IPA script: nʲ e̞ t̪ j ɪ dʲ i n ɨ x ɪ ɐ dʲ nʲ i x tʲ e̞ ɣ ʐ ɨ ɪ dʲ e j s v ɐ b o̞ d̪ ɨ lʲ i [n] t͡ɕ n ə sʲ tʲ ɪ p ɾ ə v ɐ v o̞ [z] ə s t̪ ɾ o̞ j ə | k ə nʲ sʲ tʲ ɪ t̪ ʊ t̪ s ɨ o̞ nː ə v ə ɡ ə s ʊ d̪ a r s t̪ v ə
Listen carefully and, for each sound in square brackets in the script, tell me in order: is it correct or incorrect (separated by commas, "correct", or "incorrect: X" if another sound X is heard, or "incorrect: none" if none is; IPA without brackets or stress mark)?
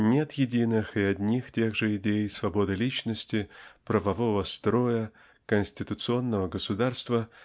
incorrect: none, incorrect: v